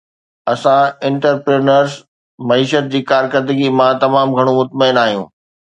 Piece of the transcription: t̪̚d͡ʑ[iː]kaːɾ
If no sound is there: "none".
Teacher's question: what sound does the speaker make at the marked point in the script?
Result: iː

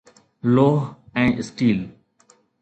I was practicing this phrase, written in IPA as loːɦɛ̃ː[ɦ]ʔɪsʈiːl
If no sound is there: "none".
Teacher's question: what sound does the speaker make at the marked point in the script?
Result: none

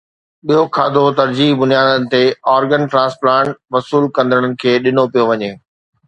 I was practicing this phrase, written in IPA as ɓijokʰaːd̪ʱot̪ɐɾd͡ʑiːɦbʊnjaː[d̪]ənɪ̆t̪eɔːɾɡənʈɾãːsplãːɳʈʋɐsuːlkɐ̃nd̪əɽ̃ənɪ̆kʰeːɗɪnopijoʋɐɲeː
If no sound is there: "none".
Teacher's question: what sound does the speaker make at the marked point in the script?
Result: d̪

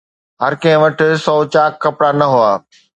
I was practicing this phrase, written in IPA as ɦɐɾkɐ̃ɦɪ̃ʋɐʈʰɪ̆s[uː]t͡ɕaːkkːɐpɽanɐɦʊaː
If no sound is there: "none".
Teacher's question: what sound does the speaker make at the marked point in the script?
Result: ɔː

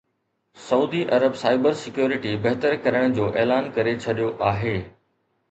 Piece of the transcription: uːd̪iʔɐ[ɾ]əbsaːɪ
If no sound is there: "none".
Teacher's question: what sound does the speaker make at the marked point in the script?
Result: ɾ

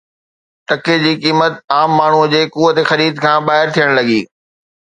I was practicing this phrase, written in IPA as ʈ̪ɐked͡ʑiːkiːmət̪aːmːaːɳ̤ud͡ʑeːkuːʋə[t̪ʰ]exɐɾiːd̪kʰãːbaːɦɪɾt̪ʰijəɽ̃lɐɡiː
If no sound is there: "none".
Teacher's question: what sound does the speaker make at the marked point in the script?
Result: t̪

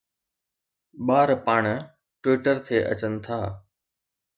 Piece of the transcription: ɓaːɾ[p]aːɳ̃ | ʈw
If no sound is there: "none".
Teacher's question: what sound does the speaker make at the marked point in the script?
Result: p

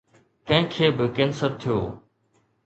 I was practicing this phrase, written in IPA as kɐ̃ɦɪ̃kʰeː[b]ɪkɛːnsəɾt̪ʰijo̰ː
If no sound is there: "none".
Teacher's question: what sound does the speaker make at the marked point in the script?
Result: b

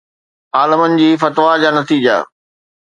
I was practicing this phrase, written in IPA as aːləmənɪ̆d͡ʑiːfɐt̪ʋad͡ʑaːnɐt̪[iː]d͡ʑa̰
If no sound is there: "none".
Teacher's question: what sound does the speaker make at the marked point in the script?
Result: iː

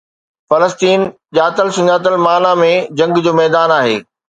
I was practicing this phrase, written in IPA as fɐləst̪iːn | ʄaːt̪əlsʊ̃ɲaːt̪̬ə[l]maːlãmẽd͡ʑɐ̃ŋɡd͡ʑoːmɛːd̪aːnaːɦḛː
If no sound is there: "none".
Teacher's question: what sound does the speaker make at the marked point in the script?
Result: l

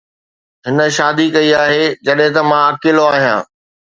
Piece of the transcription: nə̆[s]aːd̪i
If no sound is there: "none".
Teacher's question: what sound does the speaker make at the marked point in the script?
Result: ʃ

